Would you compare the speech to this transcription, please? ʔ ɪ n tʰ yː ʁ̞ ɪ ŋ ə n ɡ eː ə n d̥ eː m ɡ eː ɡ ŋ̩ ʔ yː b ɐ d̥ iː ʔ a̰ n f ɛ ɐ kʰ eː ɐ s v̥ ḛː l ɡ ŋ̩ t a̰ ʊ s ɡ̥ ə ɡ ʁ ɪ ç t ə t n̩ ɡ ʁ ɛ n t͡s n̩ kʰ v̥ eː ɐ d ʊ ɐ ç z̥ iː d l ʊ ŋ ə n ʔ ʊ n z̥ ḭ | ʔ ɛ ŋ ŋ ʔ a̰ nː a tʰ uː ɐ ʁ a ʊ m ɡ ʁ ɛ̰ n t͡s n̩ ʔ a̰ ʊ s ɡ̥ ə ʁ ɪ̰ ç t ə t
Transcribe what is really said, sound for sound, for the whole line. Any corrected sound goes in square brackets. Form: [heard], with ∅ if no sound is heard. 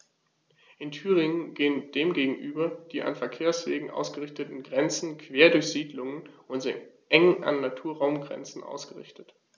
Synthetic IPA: ʔ ɪ n tʰ yː ʁ̞ ɪ ŋ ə n ɡ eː ə n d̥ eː m ɡ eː ɡ ŋ̩ ʔ yː b ɐ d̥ iː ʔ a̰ n f ɛ ɐ kʰ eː ɐ s v̥ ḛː [∅] ɡ ŋ̩ [ʔ] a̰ ʊ s ɡ̥ ə [∅] ʁ ɪ ç t ə t n̩ ɡ ʁ ɛ n t͡s n̩ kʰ v̥ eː ɐ d ʊ ɐ ç z̥ iː d l ʊ ŋ ə n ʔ ʊ n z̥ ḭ | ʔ ɛ ŋ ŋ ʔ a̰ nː a tʰ uː ɐ ʁ a ʊ m ɡ ʁ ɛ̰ n t͡s n̩ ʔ a̰ ʊ s ɡ̥ ə ʁ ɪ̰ ç t ə t